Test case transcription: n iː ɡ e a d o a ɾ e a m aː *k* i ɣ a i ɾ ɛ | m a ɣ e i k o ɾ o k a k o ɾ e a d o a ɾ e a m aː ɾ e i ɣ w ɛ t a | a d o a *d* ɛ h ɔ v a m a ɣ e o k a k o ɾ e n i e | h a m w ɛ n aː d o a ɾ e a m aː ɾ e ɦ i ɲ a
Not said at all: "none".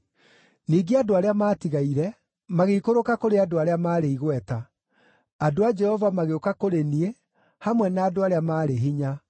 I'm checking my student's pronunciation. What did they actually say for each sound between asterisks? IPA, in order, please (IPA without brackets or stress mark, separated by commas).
t, d͡ʒ